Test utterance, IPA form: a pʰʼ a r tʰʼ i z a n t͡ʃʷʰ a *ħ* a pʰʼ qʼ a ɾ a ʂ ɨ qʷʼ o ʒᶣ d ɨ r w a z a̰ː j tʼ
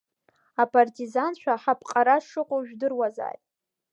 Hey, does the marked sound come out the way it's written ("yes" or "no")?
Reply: yes